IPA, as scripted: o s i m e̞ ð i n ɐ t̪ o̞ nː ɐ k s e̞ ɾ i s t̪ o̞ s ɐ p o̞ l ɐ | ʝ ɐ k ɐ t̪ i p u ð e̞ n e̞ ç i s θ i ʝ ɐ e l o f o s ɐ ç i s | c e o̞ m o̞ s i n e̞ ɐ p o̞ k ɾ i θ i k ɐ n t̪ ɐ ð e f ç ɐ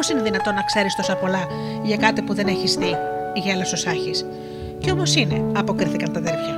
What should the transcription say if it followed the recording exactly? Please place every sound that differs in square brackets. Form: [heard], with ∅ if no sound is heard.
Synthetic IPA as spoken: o s i [n] e̞ ð i n ɐ t̪ o̞ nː ɐ k s e̞ ɾ i s t̪ o̞ s ɐ p o̞ l ɐ | ʝ ɐ k ɐ t̪ i p u ð e̞ n e̞ ç i s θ i ʝ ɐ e l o [s] o s ɐ ç i s | c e o̞ m o̞ s i n e̞ ɐ p o̞ k ɾ i θ i k ɐ n t̪ ɐ ð e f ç ɐ